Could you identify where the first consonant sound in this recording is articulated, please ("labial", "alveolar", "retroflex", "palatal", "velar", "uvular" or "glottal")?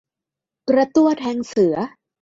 velar